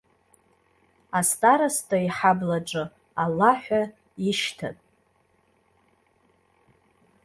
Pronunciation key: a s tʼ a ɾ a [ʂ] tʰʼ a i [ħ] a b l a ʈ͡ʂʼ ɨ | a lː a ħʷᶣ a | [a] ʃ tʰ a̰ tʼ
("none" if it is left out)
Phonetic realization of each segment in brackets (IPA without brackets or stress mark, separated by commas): s, ħ, i